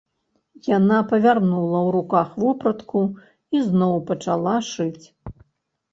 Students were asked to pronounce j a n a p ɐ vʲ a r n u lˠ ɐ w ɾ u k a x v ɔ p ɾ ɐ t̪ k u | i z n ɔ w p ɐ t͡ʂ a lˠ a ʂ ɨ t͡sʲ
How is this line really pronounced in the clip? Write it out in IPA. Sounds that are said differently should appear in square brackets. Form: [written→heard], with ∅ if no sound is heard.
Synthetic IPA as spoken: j a n a p ɐ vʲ a r n u lˠ ɐ w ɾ u k a x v ɔ p ɾ ɐ t̪ k u | i z n ɔ w p ɐ t͡ʂ a lˠ a ʂ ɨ t͡sʲ